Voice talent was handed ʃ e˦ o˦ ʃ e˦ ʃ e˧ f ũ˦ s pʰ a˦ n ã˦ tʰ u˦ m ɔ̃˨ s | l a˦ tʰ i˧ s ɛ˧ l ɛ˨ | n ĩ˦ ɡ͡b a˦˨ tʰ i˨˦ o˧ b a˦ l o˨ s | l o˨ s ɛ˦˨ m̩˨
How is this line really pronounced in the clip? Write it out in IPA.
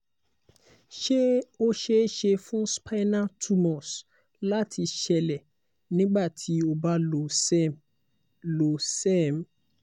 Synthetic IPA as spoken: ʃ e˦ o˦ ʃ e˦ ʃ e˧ f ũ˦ s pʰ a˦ n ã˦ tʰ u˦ m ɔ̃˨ s | l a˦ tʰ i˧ ʃ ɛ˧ l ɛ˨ | n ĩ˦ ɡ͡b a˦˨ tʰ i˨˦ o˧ b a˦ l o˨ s | l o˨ s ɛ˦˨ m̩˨